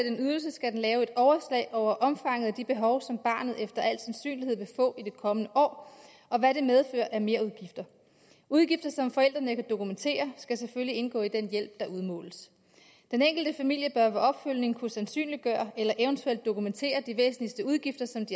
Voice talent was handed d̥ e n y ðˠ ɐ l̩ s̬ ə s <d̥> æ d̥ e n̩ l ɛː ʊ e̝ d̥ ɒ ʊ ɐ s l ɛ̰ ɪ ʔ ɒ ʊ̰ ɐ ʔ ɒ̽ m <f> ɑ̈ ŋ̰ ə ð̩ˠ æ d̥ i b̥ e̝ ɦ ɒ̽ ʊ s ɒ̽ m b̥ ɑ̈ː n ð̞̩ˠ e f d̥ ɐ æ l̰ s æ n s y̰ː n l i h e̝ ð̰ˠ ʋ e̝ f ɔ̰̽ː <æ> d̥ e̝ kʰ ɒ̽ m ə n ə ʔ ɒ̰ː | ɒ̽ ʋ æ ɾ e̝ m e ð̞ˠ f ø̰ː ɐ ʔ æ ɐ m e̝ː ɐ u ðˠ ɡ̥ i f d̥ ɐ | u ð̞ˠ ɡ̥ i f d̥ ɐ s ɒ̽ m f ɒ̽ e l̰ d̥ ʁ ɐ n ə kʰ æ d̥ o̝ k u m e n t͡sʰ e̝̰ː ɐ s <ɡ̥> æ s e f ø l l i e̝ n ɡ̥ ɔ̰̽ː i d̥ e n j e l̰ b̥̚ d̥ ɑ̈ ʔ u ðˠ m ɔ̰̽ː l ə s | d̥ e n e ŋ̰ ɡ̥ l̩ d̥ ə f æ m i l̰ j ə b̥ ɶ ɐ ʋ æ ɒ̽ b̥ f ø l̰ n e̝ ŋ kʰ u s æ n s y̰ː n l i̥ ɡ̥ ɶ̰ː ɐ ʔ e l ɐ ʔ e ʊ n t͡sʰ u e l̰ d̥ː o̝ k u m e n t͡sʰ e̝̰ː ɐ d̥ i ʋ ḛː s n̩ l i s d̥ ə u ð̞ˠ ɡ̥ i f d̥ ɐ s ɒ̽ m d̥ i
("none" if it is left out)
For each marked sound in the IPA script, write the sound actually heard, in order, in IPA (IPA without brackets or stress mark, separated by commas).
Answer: ɡ̥, f, i, ɡ̥